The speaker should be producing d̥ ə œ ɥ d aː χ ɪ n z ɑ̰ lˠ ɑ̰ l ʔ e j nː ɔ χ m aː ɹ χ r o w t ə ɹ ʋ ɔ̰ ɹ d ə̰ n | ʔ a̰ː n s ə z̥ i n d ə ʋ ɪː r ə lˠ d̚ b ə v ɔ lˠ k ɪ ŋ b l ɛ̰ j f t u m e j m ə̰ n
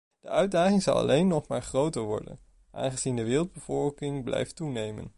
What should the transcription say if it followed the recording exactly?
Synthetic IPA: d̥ ə œ ɥ d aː χ ɪ ŋ z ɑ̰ lˠ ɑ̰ l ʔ e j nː ɔ χ m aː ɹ χ r o w t ə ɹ ʋ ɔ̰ ɹ d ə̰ n | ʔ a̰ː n χ ə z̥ i n d ə ʋ ɪː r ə lˠ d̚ b ə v ɔ lˠ k ɪ ŋ b l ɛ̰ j f t u n e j m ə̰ n

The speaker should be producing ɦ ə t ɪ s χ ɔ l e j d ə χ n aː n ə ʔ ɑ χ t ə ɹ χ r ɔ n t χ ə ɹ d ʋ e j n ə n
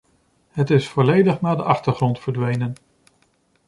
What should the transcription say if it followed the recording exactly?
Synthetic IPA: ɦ ə t ɪ s f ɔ l e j d ə χ n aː d ə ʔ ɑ χ t ə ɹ χ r ɔ n t f ə ɹ d ʋ e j n ə n

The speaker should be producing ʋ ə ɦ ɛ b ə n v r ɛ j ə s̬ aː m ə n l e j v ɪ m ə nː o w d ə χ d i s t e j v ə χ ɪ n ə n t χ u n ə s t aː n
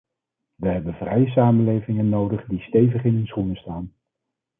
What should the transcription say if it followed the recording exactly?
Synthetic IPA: ʋ ə ɦ ɛ b ə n v r ɛ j ə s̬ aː m ə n l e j v ɪ ŋ ə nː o w d ə χ d i s t e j v ə χ ɪ n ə n s χ u n ə s t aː n

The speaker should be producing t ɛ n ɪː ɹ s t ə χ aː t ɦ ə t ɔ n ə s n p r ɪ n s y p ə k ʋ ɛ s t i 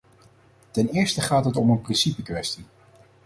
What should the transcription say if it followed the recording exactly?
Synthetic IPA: t ɛ n ɪː ɹ s t ə χ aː t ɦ ə t ɔ m ə n p r ɪ n s i p ə k ʋ ɛ s t i

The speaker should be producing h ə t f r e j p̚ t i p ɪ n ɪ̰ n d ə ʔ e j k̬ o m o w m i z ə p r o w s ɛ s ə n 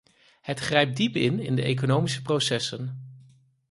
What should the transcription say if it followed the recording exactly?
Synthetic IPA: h ə t χ r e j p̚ d i p ɪ n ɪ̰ n d ə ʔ e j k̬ o n o w m i s ə p r o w s ɛ s ə n

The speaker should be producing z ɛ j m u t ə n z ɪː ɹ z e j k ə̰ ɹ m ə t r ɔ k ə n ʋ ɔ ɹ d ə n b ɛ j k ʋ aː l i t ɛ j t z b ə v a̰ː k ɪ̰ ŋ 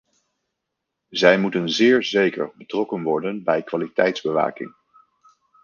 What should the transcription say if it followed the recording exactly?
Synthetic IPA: z ɛ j m u t ə n z ɪː ɹ z e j k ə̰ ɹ b ə t r ɔ k ə n ʋ ɔ ɹ d ə n b ɛ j k ʋ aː l i t ɛ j t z b ə ʋ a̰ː k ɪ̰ ŋ

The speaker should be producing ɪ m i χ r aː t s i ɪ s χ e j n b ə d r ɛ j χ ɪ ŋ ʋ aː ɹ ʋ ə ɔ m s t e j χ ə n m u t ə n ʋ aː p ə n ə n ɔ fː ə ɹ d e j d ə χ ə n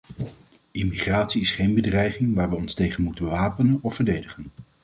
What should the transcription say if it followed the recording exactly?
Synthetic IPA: ɪ m i χ r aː t s i ɪ s χ e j n b ə d r ɛ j χ ɪ ŋ ʋ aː ɹ ʋ ə ɔ n s t e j χ ə n m u t ə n ʋ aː p ə n ə n ɔ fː ə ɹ d e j d ə χ ə n

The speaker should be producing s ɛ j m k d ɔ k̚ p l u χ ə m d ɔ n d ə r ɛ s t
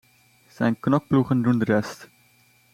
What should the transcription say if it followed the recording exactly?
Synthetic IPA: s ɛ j n k n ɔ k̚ p l u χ ə n d u n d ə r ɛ s t

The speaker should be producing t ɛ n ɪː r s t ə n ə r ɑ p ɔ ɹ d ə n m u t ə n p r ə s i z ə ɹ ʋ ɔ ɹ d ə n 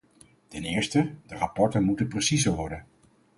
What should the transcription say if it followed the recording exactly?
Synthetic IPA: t ɛ n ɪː ɹ s t ə d ə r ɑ p ɔ ɹ t ə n m u t ə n p r ə s i z ə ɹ ʋ ɔ ɹ d ə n

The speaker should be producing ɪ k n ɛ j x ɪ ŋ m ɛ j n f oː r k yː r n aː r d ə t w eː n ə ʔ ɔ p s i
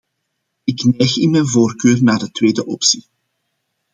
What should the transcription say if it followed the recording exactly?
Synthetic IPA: ɪ k n ɛ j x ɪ n m ɛ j n v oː r k øː r n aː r d ə t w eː d ə ʔ ɔ p s i

